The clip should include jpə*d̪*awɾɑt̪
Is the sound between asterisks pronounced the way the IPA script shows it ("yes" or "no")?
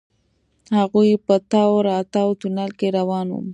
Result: no